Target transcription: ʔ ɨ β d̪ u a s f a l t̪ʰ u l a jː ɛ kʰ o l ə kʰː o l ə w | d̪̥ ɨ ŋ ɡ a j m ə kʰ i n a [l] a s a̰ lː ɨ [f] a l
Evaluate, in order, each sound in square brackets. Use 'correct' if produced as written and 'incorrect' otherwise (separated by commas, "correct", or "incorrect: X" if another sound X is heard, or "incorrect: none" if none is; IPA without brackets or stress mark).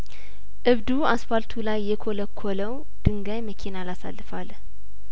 correct, correct